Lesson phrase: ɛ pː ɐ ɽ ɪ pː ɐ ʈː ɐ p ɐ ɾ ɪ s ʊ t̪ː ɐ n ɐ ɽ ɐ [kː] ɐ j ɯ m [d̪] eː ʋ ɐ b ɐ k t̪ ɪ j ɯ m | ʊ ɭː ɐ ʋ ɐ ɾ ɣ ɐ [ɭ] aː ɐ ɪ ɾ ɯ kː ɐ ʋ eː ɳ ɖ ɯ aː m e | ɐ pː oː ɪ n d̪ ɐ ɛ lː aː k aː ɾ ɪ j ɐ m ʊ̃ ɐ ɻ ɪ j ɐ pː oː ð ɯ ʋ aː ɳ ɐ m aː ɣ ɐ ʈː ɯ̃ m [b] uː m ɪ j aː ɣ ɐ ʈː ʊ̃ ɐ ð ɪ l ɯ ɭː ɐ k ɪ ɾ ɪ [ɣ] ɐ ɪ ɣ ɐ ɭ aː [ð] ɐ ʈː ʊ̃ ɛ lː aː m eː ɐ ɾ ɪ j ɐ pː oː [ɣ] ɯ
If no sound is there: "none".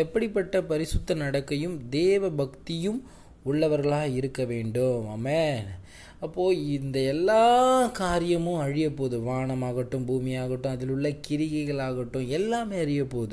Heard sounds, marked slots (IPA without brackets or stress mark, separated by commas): kː, d̪, ɭ, b, ɣ, ɣ, ð